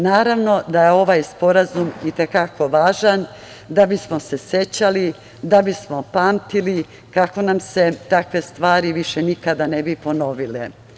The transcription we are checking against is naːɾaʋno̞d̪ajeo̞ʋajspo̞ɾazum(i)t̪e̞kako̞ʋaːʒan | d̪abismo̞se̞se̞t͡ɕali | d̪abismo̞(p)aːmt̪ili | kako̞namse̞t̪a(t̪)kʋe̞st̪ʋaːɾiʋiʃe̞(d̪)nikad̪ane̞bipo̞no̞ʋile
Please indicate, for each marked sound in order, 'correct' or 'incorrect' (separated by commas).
correct, correct, incorrect, incorrect